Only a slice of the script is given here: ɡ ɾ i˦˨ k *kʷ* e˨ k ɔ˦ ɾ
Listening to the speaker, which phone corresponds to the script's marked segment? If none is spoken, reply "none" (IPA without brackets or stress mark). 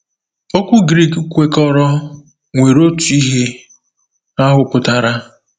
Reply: kʷ